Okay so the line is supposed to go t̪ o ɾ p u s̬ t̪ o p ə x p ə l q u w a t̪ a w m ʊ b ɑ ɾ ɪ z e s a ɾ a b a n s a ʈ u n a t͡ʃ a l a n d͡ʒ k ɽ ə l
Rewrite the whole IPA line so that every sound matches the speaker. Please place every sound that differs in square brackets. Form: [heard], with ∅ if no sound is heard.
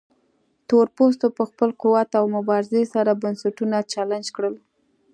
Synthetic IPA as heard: t̪ o ɾ p [o] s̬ t̪ o p ə x p ə l q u w a t̪ a w m ʊ b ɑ ɾ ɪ z e s a ɾ a b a n s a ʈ u n a t͡ʃ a l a n d͡ʒ k ɽ ə l